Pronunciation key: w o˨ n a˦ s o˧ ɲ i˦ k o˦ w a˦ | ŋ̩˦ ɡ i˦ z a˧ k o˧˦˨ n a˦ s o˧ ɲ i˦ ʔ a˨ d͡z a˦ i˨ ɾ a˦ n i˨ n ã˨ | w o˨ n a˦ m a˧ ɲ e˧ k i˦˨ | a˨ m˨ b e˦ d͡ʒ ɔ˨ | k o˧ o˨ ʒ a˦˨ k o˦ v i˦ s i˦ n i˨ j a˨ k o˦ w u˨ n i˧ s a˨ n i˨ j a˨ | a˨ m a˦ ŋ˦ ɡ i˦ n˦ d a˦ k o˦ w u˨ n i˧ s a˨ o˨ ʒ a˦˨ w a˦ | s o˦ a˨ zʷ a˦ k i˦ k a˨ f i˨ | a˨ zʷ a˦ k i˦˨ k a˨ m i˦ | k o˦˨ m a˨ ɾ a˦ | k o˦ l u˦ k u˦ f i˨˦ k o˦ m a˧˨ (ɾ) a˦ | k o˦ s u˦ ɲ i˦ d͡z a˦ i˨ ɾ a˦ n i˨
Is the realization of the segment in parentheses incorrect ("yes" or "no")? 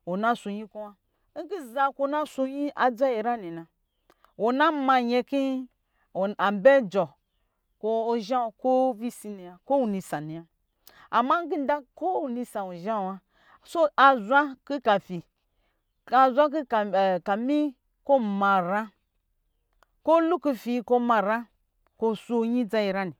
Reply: no